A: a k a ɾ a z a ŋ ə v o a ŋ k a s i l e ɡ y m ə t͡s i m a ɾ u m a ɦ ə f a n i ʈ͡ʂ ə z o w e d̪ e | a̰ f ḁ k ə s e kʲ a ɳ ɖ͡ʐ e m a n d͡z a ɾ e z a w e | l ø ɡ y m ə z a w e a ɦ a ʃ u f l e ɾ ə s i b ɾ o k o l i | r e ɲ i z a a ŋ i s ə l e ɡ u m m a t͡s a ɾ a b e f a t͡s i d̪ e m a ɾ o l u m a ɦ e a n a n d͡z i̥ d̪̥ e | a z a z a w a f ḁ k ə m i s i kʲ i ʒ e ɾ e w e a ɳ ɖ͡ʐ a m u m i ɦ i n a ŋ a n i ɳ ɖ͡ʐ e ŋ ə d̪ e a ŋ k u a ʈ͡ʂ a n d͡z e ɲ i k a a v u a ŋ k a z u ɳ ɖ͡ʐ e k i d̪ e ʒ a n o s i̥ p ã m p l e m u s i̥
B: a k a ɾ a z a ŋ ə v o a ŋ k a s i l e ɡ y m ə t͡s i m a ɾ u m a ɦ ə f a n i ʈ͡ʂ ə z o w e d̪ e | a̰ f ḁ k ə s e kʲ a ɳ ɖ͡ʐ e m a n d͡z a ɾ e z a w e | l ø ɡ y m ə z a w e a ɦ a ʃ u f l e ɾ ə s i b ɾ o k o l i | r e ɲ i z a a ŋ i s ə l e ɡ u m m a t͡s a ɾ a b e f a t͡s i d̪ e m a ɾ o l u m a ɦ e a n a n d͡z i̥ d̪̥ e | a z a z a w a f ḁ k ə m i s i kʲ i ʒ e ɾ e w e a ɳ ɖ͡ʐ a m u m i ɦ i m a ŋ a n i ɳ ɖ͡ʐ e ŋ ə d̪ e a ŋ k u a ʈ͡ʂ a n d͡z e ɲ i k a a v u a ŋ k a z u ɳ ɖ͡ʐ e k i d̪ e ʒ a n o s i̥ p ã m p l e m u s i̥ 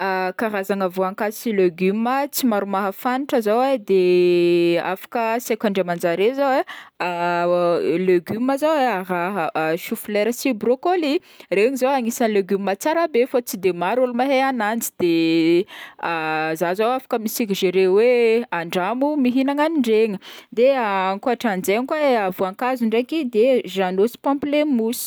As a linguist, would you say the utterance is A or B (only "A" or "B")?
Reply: A